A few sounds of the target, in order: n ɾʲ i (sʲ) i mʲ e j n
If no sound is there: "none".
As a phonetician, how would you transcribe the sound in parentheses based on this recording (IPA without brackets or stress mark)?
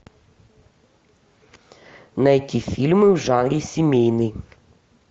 sʲ